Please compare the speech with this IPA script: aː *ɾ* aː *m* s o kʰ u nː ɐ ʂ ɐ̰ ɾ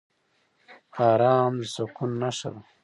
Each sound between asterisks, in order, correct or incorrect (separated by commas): correct, correct